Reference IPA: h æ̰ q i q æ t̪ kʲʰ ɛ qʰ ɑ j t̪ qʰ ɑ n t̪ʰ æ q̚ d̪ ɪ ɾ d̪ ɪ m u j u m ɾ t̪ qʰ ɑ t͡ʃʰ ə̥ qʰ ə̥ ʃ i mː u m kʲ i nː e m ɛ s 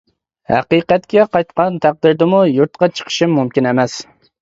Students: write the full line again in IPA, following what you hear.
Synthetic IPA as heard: h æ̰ q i q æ t̪ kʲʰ ɛ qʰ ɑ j t̪ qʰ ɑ n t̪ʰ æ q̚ d̪ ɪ ɾ d̪ ɪ m u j u ɾ t̪ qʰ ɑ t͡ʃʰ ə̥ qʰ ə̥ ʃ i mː u m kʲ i n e m ɛ s